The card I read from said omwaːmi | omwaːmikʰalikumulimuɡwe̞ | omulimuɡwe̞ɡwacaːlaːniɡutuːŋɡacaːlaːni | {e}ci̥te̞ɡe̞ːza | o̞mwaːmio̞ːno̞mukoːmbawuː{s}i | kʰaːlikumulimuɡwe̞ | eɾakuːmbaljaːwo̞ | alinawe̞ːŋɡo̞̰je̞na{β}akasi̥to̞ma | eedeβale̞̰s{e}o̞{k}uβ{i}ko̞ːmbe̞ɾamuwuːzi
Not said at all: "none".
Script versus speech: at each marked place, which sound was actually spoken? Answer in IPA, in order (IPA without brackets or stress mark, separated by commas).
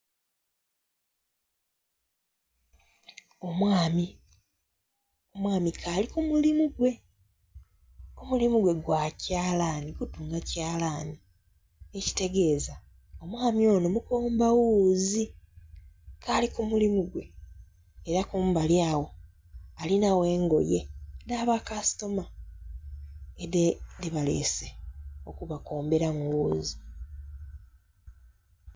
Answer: e, z, β, e, k, a